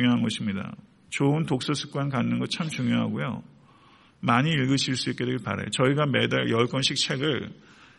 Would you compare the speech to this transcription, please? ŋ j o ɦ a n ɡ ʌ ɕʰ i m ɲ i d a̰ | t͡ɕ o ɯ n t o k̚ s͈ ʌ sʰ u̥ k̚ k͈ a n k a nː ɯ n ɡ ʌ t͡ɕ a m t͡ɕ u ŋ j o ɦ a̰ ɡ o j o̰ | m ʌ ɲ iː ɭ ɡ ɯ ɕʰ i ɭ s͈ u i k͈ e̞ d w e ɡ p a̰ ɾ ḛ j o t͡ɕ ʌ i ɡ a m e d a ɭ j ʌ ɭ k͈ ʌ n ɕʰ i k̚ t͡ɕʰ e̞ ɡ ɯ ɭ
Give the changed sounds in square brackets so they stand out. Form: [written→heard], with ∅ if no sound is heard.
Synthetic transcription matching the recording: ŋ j o ɦ a n ɡ ʌ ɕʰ i m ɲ i d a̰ | t͡ɕ o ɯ n t o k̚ s͈ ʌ sʰ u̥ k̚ k͈ a n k a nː ɯ n ɡ ʌ [t͡ɕ→t͡ɕʰ] a m t͡ɕ u ŋ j o ɦ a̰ ɡ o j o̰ | m [ʌ→a] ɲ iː ɭ ɡ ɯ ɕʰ i ɭ s͈ u i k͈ e̞ d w e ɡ p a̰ ɾ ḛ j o t͡ɕ ʌ i ɡ a m e d a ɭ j ʌ ɭ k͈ ʌ n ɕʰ i k̚ t͡ɕʰ e̞ ɡ ɯ ɭ